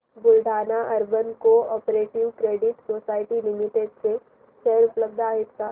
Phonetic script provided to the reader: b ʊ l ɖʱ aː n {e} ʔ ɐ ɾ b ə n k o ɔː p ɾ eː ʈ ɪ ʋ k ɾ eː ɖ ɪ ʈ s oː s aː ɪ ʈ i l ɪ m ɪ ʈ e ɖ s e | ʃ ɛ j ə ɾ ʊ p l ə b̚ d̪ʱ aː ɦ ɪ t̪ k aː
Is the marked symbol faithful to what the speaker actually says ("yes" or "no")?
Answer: no